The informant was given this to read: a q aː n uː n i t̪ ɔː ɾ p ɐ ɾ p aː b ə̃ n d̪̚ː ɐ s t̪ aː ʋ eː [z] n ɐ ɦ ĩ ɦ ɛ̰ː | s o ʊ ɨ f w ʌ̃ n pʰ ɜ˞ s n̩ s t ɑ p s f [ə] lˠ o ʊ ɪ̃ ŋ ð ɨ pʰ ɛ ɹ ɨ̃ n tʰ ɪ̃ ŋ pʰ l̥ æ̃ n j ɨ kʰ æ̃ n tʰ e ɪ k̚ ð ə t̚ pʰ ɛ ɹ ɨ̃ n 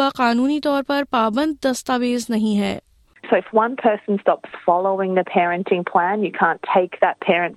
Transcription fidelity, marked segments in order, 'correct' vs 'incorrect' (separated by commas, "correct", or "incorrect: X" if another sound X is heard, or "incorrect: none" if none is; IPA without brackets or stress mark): correct, incorrect: ɑ